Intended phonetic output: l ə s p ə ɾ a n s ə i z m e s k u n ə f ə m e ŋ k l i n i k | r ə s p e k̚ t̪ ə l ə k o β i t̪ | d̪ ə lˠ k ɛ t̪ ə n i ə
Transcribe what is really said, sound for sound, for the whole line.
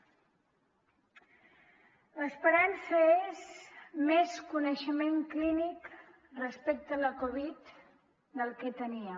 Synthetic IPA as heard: l ə s p ə ɾ a n s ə e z m e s k u n ə ʃ ə m e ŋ k l i n i k | r ə s p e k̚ t̪ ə l ə k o β i t̪ | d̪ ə lˠ k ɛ t̪ ə n i ə